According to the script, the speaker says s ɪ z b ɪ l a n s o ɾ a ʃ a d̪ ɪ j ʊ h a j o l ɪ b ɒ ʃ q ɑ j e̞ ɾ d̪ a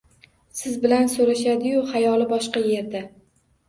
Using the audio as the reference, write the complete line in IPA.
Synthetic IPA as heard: s ɪ z b ɪ l a n s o ɾ a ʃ a d̪ ɪ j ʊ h a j ɒ l ɪ b ɒ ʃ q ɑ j e̞ ɾ d̪ a